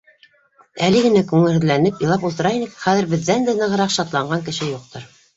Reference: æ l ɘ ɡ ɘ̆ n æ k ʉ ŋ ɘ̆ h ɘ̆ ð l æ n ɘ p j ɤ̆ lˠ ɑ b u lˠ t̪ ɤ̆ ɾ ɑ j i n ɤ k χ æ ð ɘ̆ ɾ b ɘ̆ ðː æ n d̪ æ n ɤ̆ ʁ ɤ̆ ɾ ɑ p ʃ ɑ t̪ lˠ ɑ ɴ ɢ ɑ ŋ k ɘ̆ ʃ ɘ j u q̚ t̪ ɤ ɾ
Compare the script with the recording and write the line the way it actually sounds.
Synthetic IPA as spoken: æ l ɘ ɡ ɘ̆ n æ k ʉ ŋ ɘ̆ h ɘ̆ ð l æ n ɘ p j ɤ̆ lˠ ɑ p u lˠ t̪ ɤ̆ ɾ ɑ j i n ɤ k χ æ ð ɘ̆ ɾ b ɘ̆ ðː æ n d̪ æ n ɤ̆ ʁ ɤ̆ ɾ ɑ q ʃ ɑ t̪ lˠ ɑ ɴ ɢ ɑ ŋ k ɘ̆ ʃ ɘ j u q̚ t̪ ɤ ɾ